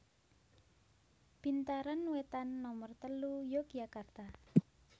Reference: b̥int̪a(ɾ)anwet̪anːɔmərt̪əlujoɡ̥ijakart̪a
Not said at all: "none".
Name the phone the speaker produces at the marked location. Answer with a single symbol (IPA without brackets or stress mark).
ɾ